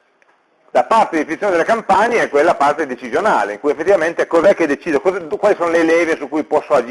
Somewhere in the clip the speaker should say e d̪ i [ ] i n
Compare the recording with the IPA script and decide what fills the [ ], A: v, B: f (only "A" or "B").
B